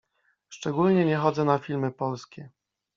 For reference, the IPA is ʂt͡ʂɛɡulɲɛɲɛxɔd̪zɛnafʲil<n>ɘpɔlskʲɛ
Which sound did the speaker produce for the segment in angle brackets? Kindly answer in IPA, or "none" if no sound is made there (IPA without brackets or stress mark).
m